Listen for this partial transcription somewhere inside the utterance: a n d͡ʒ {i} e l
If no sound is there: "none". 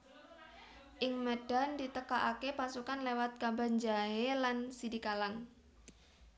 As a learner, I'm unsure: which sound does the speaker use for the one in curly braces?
a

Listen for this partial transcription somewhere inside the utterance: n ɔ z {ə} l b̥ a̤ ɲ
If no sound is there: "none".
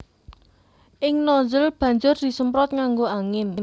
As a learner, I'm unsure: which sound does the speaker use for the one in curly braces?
ə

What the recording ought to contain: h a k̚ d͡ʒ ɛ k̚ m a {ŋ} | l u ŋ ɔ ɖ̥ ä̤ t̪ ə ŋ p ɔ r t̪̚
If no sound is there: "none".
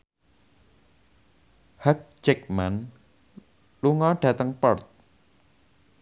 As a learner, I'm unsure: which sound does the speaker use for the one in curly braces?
n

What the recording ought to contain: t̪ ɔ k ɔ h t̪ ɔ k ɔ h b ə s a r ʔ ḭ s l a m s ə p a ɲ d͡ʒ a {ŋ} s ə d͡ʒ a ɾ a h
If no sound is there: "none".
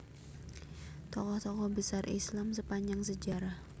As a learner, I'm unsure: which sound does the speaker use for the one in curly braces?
ŋ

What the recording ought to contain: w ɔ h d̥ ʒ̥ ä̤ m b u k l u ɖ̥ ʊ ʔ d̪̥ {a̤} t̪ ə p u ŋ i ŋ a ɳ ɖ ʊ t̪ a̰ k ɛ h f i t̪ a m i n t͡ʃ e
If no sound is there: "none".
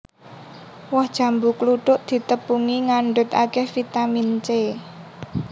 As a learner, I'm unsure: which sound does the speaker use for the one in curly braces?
i̤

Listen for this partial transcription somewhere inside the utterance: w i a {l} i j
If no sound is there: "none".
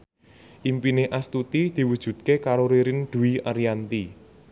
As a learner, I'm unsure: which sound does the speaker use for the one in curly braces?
ɾ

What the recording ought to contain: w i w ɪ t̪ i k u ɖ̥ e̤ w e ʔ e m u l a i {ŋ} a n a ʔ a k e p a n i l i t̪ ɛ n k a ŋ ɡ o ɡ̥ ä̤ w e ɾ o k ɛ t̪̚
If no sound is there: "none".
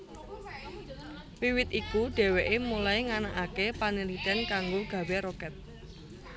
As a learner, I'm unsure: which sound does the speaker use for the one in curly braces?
ŋ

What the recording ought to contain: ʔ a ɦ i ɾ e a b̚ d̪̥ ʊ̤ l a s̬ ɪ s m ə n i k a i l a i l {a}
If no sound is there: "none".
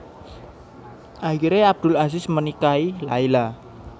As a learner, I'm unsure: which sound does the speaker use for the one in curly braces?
a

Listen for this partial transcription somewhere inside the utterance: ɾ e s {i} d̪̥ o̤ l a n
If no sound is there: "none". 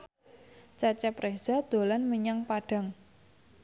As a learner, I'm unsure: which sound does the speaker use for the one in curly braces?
a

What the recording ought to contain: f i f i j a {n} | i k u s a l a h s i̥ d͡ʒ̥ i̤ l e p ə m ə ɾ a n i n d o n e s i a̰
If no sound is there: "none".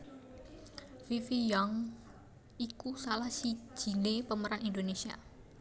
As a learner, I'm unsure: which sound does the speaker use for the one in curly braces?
ŋ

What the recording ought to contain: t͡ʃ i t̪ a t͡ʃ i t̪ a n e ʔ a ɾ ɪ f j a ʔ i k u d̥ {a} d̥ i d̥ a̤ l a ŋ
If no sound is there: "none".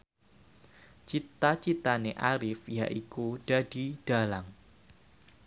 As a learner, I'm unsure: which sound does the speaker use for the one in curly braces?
a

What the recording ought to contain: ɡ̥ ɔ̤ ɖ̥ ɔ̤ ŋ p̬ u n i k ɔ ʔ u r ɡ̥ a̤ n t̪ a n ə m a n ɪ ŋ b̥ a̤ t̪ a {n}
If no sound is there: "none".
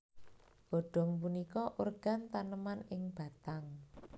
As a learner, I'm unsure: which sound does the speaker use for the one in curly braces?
ŋ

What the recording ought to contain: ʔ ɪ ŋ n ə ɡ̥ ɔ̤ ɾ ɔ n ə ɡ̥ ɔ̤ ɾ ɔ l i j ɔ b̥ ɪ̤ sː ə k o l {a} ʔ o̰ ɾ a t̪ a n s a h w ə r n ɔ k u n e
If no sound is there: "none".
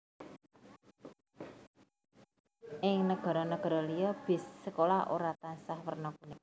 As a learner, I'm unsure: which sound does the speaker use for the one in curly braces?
a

